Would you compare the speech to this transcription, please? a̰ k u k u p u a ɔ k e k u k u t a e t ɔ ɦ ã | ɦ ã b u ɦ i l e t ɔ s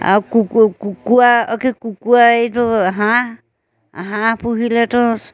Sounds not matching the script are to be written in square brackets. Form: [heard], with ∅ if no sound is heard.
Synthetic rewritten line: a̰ k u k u [k] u a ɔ k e k u k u [∅] a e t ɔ ɦ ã | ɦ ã [p] u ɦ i l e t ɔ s

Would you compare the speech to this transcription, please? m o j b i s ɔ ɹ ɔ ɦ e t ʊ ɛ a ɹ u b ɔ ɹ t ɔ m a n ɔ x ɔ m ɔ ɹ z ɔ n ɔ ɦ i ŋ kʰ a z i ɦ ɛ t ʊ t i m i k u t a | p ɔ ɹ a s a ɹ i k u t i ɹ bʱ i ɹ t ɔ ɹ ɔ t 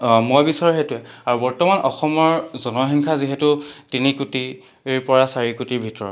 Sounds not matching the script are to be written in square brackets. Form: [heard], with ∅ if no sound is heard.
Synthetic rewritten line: m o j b i s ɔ ɹ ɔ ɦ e t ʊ ɛ a ɹ u b ɔ ɹ t ɔ m a n ɔ x ɔ m ɔ ɹ z ɔ n ɔ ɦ i ŋ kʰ a z i ɦ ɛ t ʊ t i [n] i k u t [i] | p ɔ ɹ a s a ɹ i k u t i ɹ bʱ i [∅] t ɔ ɹ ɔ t

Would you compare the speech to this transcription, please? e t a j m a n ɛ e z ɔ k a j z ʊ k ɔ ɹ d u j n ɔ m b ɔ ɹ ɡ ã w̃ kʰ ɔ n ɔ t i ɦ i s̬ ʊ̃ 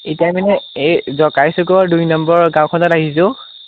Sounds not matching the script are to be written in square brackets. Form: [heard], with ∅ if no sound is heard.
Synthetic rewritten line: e t a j m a n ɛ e z ɔ k a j [s] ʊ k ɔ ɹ d u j n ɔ m b ɔ ɹ ɡ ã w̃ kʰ ɔ n ɔ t [a] ɦ i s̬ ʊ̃

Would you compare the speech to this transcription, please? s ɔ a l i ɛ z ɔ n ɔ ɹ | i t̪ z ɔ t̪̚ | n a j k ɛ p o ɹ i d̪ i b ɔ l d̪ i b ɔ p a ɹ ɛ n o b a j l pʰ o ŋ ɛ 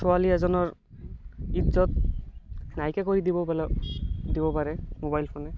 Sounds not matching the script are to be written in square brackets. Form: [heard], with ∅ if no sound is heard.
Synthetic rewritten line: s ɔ a l i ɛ z ɔ n ɔ ɹ | i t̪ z ɔ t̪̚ | n a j k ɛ [k] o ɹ i d̪ i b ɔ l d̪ i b ɔ p a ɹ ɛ [m] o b a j l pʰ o [n] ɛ

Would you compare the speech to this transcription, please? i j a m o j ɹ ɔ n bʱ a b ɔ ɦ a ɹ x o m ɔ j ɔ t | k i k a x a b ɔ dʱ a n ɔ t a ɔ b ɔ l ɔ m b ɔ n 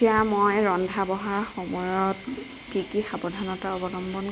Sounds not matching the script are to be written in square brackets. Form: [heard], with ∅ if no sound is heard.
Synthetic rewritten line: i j a m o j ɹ ɔ n [dʱ] a b ɔ ɦ a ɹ x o m ɔ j ɔ t | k i k [i] x a b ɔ dʱ a n ɔ t a ɔ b ɔ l ɔ m b ɔ n

